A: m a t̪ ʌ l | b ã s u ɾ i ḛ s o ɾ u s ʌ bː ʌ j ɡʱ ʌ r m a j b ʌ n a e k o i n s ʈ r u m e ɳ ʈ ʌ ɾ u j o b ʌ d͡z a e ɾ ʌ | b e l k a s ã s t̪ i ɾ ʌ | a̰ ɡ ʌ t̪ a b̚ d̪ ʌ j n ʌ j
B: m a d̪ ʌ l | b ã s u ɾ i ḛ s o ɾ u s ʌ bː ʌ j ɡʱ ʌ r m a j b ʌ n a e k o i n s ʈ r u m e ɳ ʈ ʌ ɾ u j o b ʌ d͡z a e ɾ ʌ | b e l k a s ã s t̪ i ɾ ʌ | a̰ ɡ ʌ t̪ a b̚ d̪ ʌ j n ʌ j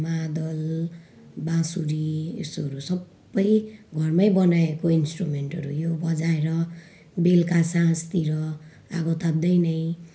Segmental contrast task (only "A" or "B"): B